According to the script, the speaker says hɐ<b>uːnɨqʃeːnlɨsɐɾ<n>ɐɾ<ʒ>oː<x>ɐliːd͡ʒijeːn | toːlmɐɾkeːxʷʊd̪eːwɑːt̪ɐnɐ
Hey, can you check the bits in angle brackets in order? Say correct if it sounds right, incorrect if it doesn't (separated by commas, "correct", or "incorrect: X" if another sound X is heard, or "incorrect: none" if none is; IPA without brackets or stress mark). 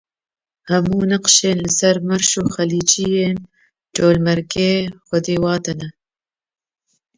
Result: incorrect: m, incorrect: m, incorrect: ʃ, correct